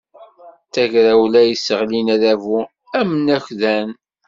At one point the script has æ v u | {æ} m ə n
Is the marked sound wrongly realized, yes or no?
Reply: no